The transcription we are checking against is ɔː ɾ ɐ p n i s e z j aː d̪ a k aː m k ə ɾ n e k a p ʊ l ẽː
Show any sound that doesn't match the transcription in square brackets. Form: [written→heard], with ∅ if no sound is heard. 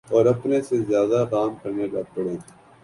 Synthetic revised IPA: ɔː ɾ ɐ p n [i→e] s e z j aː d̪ a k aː m k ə ɾ n e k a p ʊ [l→ɽ] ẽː